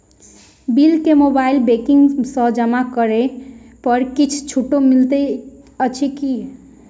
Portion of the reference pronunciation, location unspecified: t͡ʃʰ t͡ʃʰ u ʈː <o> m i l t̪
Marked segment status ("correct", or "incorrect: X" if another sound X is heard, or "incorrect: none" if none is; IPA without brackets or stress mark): correct